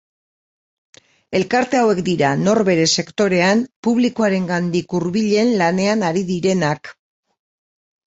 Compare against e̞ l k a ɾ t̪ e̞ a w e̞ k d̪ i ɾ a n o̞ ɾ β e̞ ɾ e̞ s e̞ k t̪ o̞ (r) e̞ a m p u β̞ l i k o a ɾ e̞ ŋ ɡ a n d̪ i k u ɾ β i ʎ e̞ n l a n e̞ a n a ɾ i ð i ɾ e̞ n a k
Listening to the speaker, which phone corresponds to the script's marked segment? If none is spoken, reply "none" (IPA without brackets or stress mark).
ɾ